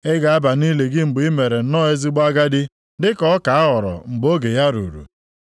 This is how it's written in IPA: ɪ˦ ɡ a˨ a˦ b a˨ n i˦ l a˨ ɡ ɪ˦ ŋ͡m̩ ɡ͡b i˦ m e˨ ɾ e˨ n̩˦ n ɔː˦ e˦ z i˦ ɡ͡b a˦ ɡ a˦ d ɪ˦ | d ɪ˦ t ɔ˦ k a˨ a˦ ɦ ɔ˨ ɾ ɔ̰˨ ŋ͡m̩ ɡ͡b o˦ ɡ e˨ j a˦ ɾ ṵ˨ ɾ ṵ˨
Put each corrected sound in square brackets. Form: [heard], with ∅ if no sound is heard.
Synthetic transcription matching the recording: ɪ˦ ɡ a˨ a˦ b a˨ n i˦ l [e˨] ɡ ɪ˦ ŋ͡m̩ ɡ͡b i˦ m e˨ ɾ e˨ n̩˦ n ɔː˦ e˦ z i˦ ɡ͡b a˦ ɡ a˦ d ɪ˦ | d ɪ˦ [k] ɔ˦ k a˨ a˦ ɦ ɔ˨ ɾ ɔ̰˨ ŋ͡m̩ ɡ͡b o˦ ɡ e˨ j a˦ ɾ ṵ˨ ɾ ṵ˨